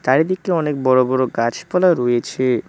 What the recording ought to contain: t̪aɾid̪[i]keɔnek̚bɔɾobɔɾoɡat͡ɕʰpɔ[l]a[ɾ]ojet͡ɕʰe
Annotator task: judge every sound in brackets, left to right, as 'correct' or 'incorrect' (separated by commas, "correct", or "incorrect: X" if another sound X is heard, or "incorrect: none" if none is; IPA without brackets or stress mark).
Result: correct, correct, correct